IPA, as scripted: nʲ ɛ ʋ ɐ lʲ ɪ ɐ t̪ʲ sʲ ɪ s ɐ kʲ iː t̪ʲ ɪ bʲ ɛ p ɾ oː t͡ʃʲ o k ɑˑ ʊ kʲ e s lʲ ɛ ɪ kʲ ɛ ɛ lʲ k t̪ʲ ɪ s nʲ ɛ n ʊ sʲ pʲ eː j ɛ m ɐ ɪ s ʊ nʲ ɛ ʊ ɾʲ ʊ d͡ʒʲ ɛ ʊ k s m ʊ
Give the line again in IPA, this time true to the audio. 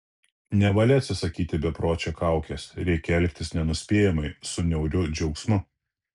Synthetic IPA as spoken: nʲ ɛ ʋ ɐ lʲ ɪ ɐ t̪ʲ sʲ ɪ s ɐ kʲ iː t̪ʲ ɪ bʲ ɛ p ɾ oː t͡ʃʲ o k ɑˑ ʊ kʲ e s ɾʲ ɛ ɪ kʲ ɛ ɛ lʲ k t̪ʲ ɪ s nʲ ɛ n ʊ sʲ pʲ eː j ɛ m ɐ ɪ s ʊ nʲ ɛ ʊ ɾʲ ʊ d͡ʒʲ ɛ ʊ k s m ʊ